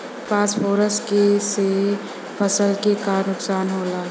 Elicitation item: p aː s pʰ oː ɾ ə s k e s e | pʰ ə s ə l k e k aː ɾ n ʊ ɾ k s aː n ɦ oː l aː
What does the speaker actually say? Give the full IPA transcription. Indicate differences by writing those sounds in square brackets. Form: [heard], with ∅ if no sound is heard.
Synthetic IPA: p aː s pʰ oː ɾ ə s k e s e | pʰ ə s ə l k e k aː ɾ n ʊ [∅] k s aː n ɦ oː l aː

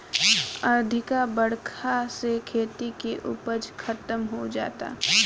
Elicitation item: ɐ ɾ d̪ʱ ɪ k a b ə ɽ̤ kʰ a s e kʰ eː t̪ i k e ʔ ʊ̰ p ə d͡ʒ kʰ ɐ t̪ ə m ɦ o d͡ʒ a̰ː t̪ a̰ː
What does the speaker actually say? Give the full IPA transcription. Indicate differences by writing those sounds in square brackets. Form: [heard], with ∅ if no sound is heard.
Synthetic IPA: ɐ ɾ d̪ʱ ɪ k a b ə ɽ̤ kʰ a s e kʰ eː t̪ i k e ʔ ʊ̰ p ə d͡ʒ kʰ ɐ t̪ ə m ɦ o d͡ʒ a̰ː t̪ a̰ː

